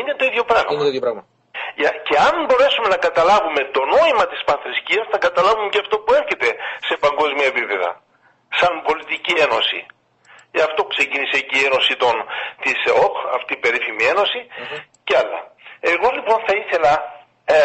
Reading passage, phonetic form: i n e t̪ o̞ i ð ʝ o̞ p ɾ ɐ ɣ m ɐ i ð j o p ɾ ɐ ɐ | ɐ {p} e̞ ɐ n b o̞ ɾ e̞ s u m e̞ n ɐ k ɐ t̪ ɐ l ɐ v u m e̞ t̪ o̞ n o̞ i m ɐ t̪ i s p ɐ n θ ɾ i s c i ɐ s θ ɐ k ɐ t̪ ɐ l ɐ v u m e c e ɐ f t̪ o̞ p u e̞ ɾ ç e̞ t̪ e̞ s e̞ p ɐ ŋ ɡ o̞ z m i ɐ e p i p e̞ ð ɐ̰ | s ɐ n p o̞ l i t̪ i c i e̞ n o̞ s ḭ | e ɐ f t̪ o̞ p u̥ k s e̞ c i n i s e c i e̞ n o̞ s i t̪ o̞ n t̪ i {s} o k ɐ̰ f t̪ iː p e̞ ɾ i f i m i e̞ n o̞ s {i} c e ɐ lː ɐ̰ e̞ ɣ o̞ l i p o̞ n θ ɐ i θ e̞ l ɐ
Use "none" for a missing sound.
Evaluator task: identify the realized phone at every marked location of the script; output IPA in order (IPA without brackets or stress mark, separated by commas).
c, s, i